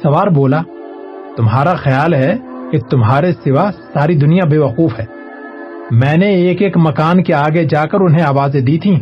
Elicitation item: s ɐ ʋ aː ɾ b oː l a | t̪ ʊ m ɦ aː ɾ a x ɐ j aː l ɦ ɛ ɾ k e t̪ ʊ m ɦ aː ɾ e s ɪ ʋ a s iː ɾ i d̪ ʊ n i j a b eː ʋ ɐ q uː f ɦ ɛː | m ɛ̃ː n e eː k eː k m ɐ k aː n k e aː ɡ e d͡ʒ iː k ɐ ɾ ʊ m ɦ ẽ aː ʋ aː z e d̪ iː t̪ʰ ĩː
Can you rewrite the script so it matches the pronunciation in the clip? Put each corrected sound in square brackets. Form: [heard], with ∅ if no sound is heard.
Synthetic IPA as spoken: s ɐ ʋ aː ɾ b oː l a | t̪ ʊ m ɦ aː ɾ a x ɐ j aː l ɦ ɛ [∅] k e t̪ ʊ m ɦ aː ɾ e s ɪ ʋ a s [aː] ɾ i d̪ ʊ n i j a b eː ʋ ɐ q uː f ɦ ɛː | m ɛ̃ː n e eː k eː k m ɐ k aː n k e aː ɡ e d͡ʒ [aː] k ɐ ɾ ʊ [n] ɦ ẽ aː ʋ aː z e d̪ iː t̪ʰ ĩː